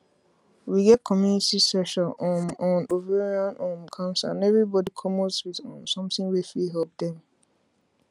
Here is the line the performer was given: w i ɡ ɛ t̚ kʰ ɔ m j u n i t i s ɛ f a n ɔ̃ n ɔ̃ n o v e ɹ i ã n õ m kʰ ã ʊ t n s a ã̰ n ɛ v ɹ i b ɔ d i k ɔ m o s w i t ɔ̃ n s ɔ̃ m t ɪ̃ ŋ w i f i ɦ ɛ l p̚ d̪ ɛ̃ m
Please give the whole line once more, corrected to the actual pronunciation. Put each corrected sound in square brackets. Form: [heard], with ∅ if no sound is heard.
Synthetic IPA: w i ɡ ɛ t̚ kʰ ɔ m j u n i t i s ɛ [ʃ] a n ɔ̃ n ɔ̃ n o v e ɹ i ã n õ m kʰ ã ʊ [∅] n s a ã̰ n ɛ v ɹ i b ɔ d i [kʰ] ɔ m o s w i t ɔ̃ n s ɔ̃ m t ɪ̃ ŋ w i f i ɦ ɛ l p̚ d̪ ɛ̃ m